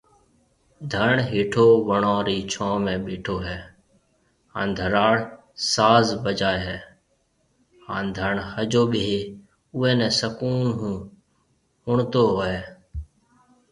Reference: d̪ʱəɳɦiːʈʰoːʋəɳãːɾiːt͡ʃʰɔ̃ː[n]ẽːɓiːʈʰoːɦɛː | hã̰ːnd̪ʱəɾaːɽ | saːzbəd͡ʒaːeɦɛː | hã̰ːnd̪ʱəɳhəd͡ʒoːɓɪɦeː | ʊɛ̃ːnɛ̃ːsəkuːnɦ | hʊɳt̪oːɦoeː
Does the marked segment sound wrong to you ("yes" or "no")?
yes